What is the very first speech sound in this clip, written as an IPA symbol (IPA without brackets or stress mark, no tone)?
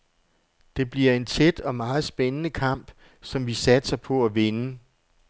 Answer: d̥